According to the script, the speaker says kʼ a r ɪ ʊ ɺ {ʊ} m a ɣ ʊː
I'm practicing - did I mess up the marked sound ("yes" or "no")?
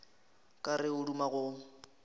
yes